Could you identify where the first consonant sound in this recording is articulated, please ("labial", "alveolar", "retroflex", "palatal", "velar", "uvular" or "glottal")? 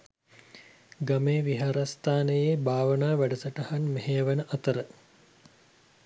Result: velar